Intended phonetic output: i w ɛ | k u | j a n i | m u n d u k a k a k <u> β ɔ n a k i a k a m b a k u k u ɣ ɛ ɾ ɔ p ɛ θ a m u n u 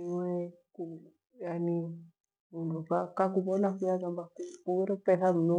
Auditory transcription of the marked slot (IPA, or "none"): u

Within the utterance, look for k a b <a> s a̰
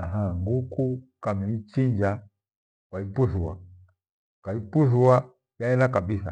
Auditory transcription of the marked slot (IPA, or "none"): i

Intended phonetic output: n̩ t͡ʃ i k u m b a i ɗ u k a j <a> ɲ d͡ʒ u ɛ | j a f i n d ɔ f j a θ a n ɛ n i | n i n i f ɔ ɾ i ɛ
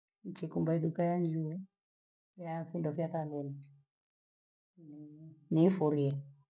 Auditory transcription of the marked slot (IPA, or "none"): a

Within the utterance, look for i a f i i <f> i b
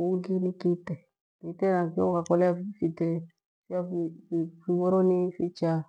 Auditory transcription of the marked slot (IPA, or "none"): f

